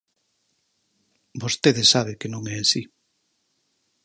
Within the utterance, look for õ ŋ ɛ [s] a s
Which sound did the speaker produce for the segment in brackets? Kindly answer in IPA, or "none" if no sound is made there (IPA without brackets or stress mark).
none